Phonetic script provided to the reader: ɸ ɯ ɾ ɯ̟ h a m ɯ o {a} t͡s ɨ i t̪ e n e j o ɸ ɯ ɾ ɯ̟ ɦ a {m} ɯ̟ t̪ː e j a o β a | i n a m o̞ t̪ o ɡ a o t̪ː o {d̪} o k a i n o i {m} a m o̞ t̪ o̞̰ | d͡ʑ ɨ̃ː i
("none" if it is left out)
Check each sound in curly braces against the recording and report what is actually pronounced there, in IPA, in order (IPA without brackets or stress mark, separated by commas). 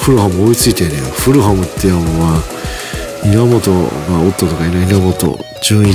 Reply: i, m, t̪, n